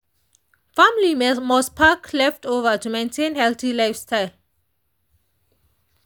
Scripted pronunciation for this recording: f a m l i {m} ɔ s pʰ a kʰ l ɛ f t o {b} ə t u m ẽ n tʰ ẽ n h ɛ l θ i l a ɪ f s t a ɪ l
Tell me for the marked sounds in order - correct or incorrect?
correct, incorrect: v

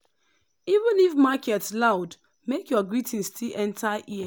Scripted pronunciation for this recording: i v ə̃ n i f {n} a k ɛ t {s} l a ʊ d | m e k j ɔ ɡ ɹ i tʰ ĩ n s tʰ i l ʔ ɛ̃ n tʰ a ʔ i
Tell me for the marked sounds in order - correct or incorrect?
incorrect: m, correct

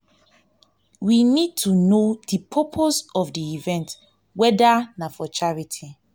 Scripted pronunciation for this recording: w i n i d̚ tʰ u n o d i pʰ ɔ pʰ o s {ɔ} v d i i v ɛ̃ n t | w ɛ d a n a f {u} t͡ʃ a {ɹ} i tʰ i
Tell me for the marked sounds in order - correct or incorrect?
correct, incorrect: ɔ, correct

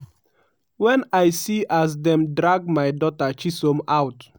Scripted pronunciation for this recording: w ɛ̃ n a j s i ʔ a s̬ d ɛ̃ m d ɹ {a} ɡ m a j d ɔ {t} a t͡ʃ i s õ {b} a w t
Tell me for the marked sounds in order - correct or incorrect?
correct, correct, incorrect: m

